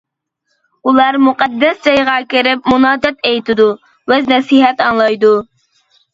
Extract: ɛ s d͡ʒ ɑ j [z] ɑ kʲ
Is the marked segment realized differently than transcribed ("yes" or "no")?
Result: yes